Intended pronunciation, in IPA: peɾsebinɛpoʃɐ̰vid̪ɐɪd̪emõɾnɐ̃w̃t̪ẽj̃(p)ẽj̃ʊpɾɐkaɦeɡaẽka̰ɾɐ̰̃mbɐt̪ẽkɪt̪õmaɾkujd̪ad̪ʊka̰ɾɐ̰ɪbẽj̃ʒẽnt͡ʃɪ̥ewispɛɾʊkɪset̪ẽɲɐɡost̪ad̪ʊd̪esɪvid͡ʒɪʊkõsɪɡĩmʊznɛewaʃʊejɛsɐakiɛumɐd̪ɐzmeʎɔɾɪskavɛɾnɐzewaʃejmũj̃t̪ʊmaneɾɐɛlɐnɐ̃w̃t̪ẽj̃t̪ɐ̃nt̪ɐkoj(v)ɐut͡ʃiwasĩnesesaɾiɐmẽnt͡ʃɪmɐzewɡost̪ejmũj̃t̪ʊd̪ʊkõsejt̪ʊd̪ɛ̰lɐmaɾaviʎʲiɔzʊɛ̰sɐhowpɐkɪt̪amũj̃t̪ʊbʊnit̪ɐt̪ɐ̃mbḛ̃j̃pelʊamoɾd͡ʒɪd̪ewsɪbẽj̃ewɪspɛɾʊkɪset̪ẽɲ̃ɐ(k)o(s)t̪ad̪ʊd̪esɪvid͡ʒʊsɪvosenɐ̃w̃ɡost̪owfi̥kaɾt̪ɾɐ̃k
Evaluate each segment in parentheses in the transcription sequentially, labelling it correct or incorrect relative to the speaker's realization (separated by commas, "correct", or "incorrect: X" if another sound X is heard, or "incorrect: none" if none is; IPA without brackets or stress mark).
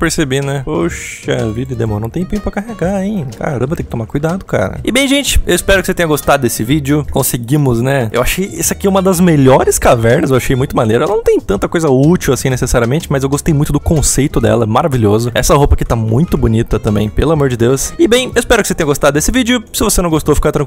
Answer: correct, incorrect: z, incorrect: ɡ, correct